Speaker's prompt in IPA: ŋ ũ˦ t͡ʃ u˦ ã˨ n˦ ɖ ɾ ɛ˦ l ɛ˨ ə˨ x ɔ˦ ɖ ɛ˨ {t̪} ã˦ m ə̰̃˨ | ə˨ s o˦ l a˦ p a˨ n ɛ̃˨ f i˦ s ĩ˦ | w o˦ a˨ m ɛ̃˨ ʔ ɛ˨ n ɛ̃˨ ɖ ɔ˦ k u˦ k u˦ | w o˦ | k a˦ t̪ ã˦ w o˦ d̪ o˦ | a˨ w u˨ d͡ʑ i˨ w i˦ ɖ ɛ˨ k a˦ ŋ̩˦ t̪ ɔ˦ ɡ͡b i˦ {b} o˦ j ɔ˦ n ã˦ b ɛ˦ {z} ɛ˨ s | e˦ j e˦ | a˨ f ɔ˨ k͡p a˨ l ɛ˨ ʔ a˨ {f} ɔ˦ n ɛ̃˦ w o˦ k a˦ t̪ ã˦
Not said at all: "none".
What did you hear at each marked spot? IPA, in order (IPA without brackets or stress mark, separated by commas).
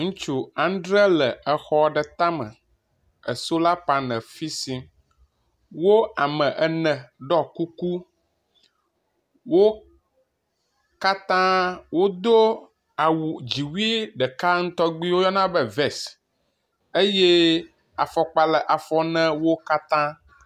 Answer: t̪, w, v, f